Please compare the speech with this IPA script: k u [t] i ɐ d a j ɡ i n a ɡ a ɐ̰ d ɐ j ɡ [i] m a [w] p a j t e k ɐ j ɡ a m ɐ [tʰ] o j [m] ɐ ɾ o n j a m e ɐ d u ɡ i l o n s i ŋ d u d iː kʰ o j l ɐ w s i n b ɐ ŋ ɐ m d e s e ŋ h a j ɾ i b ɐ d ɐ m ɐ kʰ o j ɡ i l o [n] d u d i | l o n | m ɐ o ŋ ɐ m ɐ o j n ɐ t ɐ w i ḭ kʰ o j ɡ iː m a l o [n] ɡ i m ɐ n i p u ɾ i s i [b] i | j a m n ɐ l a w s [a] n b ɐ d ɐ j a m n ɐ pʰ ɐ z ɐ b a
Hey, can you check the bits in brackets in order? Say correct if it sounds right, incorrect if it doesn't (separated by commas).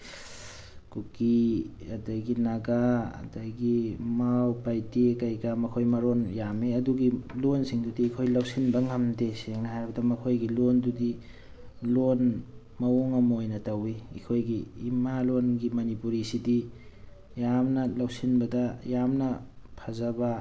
incorrect, correct, correct, incorrect, correct, correct, correct, incorrect, incorrect